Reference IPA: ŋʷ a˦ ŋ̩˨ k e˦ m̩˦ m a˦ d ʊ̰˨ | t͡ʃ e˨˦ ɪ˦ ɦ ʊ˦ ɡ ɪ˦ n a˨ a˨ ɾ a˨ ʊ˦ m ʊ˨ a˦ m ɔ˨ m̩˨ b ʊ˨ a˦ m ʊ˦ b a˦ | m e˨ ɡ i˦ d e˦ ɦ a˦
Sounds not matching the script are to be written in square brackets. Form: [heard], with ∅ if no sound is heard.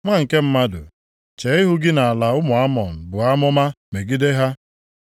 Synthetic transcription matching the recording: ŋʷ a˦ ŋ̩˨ k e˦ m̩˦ m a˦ d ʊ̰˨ | t͡ʃ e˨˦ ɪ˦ ɦ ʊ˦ ɡ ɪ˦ n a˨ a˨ [l] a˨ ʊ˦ m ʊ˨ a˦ m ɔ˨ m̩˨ b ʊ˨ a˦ m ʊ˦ [m] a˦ | m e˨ ɡ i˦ d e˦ ɦ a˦